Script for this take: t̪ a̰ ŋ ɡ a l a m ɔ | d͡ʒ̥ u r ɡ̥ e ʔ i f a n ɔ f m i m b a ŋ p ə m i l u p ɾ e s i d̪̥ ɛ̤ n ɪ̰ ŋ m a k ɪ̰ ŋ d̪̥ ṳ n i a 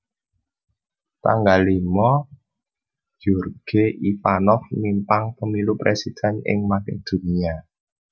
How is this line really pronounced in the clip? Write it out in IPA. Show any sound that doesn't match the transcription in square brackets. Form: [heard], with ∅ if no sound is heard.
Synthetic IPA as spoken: t̪ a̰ ŋ ɡ a l [i] m ɔ | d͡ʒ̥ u r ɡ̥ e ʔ i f a n ɔ f m i m [p] a ŋ p ə m i l u p ɾ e s i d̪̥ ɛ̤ n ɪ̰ ŋ m a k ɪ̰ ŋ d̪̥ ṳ n i a